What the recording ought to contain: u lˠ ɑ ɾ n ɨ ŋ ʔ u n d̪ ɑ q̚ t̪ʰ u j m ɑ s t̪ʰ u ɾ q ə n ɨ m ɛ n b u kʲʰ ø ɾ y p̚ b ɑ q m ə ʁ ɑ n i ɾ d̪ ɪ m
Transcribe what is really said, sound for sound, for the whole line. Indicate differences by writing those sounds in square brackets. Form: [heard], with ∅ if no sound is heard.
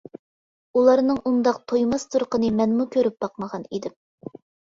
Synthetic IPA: u lˠ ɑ ɾ n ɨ ŋ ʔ u n d̪ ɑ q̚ t̪ʰ [o] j m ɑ s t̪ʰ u ɾ q ə n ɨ m ɛ n [m] u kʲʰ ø ɾ y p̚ b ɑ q m ə ʁ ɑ n i [∅] d̪ ɪ m